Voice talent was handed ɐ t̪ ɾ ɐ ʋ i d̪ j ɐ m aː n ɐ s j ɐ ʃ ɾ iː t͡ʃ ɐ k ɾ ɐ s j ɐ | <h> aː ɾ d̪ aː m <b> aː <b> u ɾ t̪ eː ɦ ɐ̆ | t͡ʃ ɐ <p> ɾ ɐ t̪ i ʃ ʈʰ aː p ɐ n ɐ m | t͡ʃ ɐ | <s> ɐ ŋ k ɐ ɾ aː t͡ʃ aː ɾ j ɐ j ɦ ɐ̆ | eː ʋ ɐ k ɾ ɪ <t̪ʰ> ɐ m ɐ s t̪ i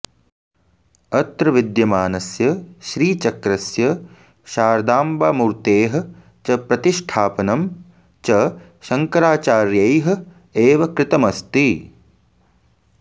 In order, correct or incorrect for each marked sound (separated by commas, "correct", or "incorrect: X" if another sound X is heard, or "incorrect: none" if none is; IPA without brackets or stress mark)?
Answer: incorrect: ʃ, correct, incorrect: m, correct, incorrect: ʃ, incorrect: t̪